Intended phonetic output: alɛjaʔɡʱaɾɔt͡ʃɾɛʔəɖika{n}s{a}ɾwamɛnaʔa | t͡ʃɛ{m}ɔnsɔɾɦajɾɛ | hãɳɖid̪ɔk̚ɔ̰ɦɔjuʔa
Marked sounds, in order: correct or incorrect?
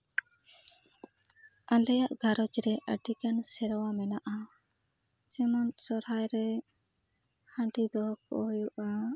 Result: correct, incorrect, correct

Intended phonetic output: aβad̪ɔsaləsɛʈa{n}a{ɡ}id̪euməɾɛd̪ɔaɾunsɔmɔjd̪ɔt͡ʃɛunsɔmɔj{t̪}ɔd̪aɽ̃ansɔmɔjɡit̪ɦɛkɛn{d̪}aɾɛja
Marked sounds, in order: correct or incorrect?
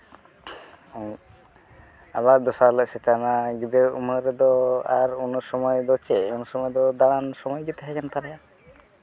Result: correct, correct, incorrect, incorrect

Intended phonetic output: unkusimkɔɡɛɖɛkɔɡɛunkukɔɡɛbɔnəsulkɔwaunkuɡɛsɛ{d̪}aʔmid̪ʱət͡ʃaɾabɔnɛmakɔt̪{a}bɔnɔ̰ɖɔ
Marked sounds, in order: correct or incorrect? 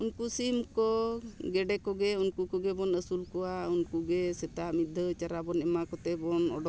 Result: incorrect, incorrect

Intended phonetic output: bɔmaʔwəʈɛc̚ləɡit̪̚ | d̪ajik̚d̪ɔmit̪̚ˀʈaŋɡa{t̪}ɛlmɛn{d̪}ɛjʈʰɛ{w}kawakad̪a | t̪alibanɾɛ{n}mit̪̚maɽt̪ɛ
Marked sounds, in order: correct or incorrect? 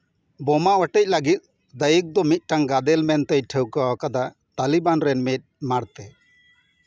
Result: incorrect, incorrect, correct, correct

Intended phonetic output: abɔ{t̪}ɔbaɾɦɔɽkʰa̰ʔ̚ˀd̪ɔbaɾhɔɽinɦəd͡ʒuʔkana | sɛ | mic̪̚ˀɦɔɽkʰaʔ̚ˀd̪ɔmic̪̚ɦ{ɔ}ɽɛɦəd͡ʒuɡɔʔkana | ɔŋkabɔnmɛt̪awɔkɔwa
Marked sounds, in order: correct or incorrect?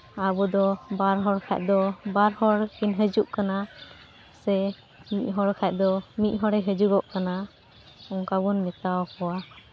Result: incorrect, correct

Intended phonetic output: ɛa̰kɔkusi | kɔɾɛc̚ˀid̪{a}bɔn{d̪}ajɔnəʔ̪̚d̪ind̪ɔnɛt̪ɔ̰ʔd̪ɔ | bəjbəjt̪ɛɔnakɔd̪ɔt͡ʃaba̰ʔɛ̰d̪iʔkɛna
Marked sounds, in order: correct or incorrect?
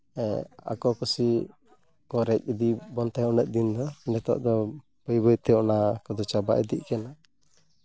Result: incorrect, incorrect

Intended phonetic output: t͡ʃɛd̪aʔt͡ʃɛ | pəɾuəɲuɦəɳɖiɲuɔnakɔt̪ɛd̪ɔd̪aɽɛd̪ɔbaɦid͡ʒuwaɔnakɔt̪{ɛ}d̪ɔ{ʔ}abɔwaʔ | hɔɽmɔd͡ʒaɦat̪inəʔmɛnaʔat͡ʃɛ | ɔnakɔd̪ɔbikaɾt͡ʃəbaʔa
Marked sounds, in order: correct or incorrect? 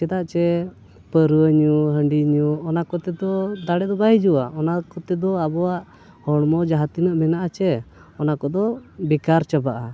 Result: correct, incorrect

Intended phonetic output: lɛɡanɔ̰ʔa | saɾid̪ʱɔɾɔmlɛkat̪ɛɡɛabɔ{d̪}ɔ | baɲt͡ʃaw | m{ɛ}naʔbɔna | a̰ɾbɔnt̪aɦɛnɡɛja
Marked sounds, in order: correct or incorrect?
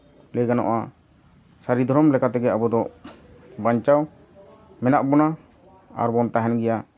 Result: correct, correct

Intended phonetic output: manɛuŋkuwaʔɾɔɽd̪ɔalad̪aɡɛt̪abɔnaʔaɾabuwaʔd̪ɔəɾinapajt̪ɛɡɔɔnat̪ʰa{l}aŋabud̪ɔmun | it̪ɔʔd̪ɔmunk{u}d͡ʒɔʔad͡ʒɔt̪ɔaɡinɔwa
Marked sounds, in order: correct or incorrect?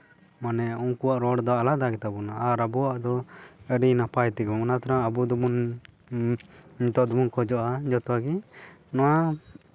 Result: incorrect, incorrect

